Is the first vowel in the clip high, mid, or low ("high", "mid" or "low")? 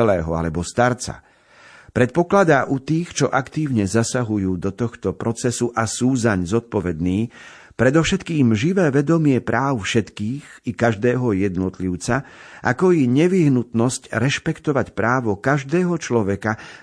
mid